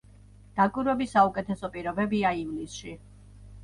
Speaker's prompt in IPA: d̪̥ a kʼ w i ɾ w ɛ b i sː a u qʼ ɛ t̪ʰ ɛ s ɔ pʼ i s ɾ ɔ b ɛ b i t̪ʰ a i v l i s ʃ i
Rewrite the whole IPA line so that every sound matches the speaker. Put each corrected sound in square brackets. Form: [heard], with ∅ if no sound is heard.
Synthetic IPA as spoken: d̪̥ a kʼ w i ɾ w ɛ b i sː a u [kʼ] ɛ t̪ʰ ɛ s ɔ pʼ i [∅] ɾ ɔ b ɛ b i [∅] a i v l i s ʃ i